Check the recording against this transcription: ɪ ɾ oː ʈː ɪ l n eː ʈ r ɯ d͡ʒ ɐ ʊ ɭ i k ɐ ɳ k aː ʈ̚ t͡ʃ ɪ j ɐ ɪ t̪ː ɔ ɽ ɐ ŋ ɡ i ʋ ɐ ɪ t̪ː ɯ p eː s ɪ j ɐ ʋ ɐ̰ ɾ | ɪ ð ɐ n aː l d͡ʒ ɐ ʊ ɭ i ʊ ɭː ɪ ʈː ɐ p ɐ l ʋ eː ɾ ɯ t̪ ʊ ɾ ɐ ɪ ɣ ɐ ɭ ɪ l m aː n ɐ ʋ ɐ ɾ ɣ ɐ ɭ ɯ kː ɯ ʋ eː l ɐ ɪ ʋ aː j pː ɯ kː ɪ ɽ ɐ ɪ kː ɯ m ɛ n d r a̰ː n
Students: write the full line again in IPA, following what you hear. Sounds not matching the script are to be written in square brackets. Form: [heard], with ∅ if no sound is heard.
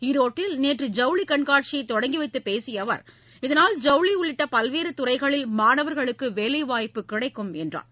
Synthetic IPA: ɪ ɾ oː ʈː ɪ l n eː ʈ r ɯ d͡ʒ ɐ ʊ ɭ i k ɐ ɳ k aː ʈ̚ t͡ʃ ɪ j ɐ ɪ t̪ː ɔ ɽ ɐ ŋ ɡ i ʋ ɐ ɪ t̪ː ɯ p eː s ɪ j ɐ ʋ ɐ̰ ɾ | ɪ ð ɐ n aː l d͡ʒ ɐ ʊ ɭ i ʊ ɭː ɪ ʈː ɐ p ɐ l ʋ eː ɾ ɯ t̪ ʊ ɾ ɐ ɪ ɣ ɐ ɭ ɪ l m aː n ɐ ʋ ɐ ɾ ɣ ɐ ɭ ɯ kː ɯ ʋ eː l ɐ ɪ ʋ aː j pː ɯ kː ɪ ɽ ɐ ɪ kː ɯ m ɛ n d r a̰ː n